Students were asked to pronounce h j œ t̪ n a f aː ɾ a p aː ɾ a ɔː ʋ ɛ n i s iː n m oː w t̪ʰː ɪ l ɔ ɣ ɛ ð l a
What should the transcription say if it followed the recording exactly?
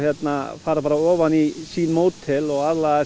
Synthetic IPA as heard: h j ɛ t̪ n a f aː ɾ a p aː ɾ a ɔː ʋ a n i s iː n m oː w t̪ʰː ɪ l ɔ ɣ a ð l a